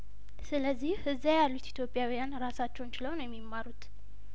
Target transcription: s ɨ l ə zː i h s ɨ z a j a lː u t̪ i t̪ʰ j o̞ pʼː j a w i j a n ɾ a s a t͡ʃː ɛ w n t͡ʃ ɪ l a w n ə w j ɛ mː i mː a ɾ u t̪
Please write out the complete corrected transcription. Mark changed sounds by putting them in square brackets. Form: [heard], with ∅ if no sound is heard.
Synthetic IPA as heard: s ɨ l ə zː i h [h] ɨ z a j a lː u t̪ i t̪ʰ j o̞ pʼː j a w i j a n ɾ a s a t͡ʃː ɛ w n t͡ʃ ɪ l [ə] w n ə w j ɛ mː i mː a ɾ u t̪